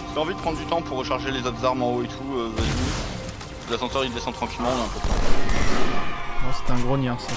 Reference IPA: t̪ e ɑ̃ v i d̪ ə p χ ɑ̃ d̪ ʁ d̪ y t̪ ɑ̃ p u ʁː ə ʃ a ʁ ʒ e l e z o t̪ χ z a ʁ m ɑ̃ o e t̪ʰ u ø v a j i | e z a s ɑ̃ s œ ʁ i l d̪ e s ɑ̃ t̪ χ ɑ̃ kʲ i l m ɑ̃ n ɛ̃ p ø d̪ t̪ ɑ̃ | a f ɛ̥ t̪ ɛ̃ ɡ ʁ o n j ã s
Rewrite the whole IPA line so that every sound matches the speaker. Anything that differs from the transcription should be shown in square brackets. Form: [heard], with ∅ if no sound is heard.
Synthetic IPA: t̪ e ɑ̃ v i d̪ ə p χ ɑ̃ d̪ ʁ d̪ y t̪ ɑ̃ p u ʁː ə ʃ a ʁ ʒ e l e z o t̪ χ z a ʁ m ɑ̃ o e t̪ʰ u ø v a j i | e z a s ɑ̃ s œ ʁ i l d̪ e s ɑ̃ t̪ χ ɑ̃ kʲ i l m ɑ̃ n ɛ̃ p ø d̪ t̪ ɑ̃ | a [s] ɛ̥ t̪ ɛ̃ ɡ ʁ o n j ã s